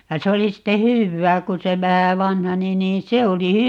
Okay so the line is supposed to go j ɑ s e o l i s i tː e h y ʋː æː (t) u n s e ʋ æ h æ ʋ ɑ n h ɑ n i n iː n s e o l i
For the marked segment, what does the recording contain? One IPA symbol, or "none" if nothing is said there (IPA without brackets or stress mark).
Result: k